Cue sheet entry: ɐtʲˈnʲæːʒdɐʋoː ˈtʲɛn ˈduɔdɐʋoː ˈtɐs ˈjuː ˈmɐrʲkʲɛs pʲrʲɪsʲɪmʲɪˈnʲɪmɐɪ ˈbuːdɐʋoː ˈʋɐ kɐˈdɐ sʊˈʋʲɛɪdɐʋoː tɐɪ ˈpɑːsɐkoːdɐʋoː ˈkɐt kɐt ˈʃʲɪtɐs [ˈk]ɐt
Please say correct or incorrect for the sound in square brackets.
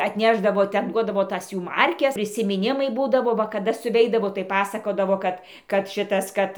correct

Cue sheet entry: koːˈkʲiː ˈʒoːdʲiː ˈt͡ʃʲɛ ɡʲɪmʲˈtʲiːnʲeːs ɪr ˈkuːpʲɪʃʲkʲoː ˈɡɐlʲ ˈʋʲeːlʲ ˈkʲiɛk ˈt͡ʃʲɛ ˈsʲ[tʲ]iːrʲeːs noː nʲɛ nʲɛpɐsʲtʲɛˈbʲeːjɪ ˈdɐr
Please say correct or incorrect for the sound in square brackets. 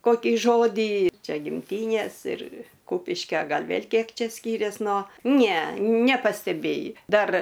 incorrect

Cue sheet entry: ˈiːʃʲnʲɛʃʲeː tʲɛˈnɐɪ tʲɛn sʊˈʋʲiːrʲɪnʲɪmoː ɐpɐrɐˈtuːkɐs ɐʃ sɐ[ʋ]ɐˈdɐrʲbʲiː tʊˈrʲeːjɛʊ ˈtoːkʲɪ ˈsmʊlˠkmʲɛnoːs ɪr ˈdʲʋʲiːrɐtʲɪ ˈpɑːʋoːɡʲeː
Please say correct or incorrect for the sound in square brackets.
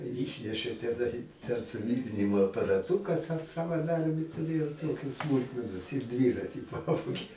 correct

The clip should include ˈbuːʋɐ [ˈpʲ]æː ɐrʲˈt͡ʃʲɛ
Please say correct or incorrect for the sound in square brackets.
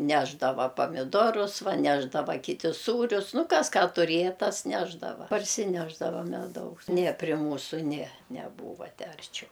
incorrect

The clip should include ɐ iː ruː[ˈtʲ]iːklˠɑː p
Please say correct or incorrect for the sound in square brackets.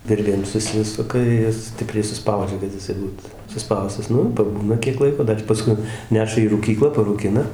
incorrect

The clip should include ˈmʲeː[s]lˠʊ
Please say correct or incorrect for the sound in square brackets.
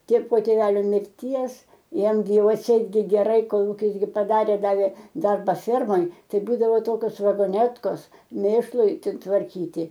incorrect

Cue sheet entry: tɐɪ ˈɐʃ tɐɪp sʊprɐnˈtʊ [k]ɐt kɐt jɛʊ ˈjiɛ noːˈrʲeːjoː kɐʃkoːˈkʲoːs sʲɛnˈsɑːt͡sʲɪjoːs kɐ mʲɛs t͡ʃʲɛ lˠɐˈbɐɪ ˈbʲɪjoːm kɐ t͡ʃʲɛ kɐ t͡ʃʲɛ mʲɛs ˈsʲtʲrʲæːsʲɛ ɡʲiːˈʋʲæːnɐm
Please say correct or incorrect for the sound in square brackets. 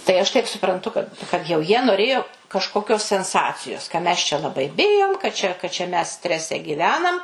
correct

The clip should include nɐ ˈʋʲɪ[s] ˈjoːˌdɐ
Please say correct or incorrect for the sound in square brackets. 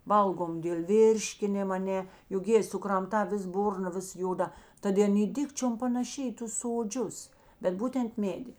correct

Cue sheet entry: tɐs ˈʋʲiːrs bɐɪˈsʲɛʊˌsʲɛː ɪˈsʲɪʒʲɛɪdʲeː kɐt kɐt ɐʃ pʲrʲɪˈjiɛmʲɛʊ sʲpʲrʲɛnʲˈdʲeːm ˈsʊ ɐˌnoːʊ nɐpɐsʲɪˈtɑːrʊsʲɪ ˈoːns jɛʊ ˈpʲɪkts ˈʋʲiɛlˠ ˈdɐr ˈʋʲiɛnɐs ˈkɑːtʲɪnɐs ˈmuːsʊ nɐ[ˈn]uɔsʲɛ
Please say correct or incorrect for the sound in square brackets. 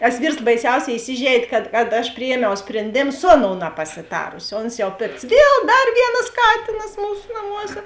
incorrect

